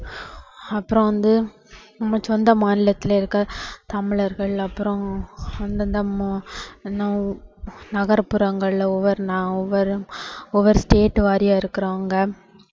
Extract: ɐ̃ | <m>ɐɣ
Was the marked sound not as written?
yes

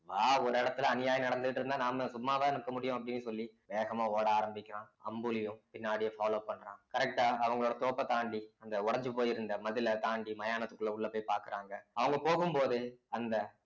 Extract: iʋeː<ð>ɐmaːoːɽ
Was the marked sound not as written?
yes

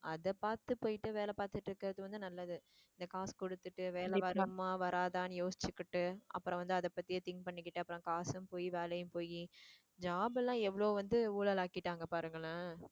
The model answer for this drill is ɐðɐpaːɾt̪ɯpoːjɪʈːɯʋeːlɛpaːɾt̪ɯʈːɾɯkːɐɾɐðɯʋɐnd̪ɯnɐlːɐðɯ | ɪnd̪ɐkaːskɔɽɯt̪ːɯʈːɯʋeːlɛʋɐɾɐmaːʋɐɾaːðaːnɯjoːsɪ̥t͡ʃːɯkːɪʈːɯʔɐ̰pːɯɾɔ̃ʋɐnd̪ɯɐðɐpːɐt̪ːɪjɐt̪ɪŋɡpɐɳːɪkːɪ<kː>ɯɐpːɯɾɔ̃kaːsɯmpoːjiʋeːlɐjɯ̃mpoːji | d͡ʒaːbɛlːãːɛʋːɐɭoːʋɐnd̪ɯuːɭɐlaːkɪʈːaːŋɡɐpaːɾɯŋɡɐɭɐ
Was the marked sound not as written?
yes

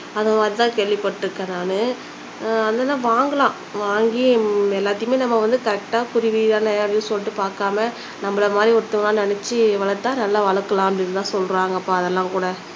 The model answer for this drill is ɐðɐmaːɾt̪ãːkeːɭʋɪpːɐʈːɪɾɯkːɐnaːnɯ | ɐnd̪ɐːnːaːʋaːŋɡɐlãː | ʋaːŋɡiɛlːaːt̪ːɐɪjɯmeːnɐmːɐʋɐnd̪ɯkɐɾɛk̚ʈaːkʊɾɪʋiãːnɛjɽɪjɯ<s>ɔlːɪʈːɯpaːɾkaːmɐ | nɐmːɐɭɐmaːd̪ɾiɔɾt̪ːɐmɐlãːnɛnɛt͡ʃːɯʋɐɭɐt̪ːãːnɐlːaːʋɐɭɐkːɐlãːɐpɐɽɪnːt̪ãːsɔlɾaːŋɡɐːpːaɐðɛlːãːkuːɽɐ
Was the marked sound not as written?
no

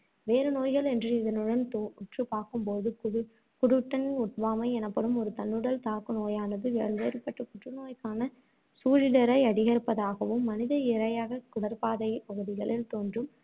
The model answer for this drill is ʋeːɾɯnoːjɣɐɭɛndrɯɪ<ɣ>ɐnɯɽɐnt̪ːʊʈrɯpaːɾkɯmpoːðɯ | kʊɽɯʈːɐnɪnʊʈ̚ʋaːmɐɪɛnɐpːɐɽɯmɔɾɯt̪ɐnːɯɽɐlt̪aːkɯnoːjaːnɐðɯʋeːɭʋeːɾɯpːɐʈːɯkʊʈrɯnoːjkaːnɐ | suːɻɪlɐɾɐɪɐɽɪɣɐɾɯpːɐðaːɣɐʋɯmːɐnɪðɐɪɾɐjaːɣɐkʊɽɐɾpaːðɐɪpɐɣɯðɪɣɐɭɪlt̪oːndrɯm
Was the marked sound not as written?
yes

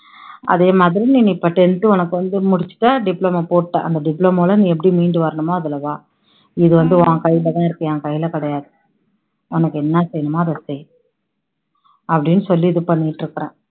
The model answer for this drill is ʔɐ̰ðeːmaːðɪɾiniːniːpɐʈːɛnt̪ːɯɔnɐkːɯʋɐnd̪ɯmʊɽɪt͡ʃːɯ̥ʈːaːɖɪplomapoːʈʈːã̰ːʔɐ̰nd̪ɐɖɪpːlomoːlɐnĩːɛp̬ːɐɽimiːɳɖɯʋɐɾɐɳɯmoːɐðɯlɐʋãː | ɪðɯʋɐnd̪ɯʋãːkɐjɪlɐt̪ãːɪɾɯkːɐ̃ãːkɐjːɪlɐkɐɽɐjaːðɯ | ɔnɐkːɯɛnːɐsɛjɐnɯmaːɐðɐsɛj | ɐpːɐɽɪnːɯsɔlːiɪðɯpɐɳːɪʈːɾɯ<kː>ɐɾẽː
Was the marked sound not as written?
no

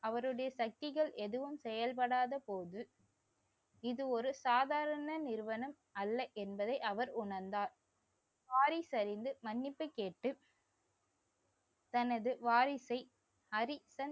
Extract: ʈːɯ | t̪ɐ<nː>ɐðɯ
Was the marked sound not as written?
yes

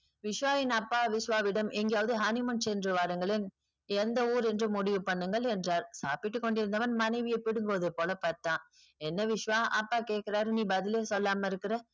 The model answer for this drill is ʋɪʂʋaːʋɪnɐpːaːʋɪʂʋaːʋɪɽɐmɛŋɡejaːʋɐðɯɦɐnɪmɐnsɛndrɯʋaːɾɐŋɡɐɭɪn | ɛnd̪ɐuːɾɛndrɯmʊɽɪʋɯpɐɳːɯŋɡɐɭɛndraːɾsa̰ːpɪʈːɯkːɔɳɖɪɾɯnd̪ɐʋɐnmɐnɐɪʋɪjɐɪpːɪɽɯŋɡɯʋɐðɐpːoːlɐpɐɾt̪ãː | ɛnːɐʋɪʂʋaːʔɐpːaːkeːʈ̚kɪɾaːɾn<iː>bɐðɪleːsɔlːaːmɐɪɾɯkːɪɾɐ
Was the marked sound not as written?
no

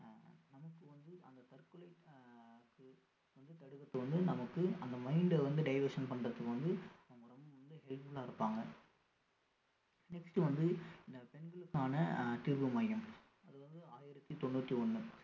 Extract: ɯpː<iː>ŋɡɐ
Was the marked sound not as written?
yes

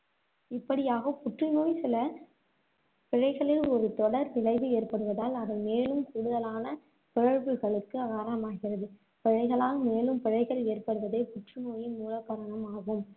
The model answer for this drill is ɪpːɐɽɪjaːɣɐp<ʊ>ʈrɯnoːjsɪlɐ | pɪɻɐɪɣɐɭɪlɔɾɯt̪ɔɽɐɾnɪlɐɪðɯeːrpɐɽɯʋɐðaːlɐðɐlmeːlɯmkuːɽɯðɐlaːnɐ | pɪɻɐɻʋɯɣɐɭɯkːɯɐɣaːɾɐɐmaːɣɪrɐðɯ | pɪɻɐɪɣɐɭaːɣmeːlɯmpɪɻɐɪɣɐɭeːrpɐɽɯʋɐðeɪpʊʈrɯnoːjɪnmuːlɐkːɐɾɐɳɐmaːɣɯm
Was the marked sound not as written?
no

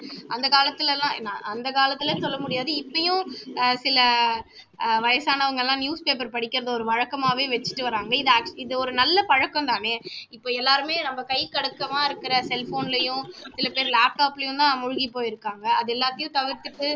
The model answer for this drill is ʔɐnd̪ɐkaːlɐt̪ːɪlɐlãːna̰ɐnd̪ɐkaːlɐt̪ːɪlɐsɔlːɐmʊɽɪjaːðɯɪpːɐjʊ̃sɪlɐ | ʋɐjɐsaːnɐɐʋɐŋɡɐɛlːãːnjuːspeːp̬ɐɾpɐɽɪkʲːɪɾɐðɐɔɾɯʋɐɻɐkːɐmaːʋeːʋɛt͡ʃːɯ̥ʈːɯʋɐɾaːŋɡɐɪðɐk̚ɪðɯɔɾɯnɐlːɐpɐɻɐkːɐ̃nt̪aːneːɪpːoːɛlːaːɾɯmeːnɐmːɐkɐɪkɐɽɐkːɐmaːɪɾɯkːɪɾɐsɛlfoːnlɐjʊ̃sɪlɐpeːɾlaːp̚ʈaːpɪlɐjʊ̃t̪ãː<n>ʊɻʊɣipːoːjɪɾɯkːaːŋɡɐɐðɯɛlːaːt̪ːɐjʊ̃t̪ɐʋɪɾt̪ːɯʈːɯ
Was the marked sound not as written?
yes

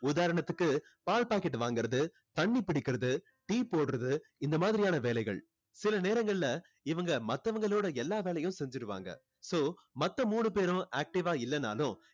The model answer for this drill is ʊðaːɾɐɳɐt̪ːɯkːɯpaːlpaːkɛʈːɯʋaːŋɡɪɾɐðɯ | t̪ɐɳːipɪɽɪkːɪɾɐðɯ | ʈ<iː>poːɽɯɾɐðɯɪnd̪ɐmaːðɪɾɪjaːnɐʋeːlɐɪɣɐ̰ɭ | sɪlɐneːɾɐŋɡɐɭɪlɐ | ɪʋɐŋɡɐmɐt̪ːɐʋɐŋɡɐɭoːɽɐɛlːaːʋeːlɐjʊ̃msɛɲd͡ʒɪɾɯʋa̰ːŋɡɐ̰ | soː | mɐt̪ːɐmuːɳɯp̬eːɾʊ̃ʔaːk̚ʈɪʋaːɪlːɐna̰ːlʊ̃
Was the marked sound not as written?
no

